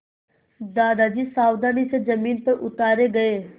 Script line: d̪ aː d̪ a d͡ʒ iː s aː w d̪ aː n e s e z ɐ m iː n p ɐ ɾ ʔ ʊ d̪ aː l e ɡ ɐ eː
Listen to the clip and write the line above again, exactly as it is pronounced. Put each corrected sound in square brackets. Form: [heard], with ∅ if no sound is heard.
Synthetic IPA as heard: d̪ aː d̪ a d͡ʒ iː s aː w d̪ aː n [i] s e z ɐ m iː n p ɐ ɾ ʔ ʊ [t̪] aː [ɾ] e ɡ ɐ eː